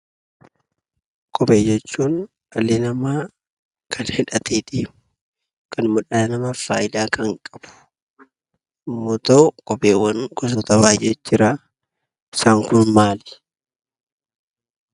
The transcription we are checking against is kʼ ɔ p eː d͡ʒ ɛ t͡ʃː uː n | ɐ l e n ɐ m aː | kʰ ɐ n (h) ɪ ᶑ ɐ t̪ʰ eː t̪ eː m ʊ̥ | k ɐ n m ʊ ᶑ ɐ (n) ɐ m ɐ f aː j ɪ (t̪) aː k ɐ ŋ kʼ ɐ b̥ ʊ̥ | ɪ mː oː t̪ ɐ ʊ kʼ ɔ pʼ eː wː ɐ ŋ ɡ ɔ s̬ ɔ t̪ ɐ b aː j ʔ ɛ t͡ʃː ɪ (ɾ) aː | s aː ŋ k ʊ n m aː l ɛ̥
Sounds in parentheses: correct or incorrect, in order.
correct, correct, incorrect, correct

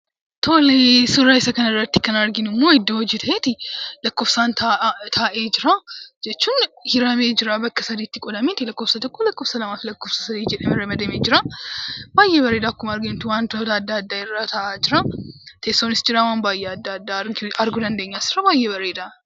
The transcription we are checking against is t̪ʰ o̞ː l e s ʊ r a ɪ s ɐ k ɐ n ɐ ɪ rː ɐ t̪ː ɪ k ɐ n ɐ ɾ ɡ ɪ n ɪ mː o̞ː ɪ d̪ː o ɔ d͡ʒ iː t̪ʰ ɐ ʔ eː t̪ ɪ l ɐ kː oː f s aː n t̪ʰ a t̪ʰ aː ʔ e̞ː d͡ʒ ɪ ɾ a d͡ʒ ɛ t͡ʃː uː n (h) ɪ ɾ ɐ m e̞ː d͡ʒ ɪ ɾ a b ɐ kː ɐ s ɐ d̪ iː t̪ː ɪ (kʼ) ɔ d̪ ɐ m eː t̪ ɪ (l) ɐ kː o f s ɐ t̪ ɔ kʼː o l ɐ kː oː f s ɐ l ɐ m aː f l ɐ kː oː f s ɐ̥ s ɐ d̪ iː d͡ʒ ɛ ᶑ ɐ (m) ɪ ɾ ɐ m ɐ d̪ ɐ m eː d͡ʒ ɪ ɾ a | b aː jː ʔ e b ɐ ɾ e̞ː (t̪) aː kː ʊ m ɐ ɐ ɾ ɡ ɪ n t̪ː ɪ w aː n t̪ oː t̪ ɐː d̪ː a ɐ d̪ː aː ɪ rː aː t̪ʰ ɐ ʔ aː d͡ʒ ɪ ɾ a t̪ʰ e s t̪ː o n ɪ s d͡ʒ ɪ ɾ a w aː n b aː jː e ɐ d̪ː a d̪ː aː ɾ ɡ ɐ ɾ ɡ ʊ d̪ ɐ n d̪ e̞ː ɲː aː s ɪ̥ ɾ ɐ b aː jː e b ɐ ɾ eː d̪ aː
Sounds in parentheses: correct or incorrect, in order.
correct, correct, correct, correct, incorrect

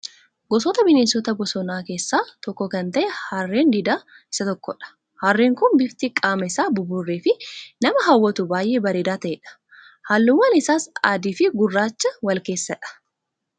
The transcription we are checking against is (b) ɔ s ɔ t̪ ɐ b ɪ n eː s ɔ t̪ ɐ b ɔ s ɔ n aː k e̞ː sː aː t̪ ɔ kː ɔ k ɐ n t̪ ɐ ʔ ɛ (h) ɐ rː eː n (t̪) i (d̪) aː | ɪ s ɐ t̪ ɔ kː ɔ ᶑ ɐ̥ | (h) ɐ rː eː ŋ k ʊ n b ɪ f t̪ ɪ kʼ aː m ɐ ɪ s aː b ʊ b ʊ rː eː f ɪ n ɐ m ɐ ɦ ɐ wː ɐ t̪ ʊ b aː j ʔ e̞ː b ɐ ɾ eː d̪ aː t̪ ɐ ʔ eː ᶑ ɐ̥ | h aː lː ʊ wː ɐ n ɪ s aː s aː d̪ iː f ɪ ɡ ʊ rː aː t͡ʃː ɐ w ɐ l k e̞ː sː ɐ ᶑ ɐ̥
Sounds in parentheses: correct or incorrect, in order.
incorrect, correct, incorrect, correct, correct

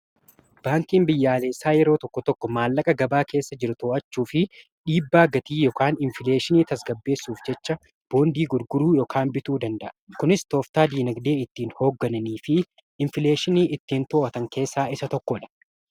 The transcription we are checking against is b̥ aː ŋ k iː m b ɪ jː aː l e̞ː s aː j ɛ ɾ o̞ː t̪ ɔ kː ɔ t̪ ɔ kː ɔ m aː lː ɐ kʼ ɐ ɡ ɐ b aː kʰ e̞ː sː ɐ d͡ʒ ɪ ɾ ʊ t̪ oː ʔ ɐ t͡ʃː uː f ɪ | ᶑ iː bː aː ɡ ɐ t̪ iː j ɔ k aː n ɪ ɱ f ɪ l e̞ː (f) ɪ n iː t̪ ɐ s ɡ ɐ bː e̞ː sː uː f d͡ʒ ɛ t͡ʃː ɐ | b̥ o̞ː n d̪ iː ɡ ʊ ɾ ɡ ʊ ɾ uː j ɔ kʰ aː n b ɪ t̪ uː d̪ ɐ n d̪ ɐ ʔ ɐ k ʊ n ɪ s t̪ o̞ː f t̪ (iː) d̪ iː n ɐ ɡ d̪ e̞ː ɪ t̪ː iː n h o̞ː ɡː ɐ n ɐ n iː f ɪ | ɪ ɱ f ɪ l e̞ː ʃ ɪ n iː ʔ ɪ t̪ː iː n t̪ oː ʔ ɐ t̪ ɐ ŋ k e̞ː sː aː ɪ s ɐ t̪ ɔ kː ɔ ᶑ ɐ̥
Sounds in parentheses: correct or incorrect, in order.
incorrect, incorrect

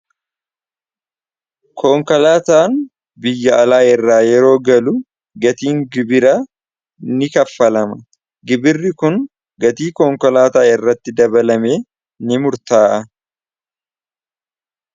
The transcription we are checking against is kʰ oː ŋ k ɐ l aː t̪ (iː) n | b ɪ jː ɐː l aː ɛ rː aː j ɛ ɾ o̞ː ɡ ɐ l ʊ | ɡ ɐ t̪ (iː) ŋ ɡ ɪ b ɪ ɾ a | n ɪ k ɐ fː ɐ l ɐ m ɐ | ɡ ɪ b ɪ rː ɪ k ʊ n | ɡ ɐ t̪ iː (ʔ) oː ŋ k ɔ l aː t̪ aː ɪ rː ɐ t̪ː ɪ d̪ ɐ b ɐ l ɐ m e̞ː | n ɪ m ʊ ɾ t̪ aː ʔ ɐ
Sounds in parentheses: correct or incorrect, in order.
incorrect, correct, incorrect

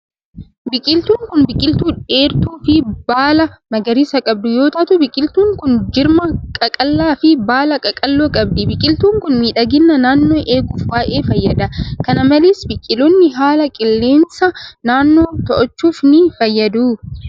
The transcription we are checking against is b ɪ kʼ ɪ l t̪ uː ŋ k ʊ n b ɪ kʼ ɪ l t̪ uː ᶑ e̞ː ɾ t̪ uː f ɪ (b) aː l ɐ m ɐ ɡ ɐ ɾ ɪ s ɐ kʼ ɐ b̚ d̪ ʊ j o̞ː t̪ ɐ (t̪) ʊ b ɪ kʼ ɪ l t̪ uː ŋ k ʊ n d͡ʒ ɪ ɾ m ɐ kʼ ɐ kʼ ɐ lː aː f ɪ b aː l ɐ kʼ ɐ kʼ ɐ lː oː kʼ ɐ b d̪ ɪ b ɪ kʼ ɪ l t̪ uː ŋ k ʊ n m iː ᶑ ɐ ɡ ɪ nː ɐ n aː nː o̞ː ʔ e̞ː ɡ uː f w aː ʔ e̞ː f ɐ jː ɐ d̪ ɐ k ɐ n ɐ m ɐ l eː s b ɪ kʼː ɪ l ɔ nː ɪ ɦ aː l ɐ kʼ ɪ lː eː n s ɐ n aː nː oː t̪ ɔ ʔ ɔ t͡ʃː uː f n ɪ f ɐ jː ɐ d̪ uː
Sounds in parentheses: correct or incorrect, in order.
correct, correct

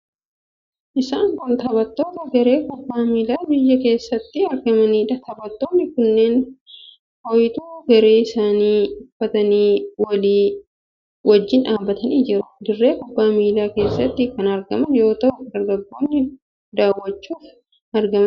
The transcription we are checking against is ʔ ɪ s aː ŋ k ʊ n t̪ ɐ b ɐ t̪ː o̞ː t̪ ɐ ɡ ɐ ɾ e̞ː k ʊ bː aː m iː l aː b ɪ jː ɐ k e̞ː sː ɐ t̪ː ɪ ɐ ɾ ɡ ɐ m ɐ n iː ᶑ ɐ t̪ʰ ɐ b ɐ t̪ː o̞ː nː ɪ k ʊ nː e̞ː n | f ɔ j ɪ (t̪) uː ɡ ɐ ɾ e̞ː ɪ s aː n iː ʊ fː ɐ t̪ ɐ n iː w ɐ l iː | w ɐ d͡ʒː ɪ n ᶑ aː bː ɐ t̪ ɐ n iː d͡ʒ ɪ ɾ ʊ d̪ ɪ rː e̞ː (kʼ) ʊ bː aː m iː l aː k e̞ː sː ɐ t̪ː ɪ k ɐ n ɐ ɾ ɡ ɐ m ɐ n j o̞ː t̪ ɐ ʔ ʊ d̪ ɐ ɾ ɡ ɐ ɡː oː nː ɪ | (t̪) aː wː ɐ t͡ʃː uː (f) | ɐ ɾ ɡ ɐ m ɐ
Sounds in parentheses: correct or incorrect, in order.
correct, incorrect, incorrect, correct

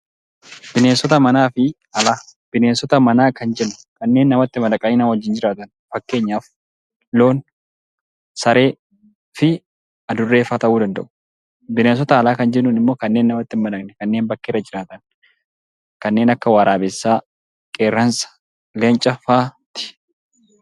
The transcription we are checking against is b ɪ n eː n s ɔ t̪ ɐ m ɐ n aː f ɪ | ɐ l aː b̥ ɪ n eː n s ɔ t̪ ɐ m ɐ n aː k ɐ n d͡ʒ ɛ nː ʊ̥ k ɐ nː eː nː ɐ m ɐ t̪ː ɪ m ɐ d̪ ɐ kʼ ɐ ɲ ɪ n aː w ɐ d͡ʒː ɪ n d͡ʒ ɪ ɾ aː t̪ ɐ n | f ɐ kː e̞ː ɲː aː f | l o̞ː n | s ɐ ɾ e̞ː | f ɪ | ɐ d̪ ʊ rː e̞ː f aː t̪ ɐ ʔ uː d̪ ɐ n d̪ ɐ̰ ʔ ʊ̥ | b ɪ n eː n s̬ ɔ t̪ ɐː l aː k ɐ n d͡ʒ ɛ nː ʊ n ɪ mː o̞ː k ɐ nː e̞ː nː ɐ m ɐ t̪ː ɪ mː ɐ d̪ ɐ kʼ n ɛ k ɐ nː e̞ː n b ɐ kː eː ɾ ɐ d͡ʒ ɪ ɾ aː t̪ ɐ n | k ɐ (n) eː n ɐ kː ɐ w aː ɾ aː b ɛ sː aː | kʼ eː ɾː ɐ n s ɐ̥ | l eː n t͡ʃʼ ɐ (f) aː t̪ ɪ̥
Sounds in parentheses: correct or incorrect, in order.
incorrect, correct

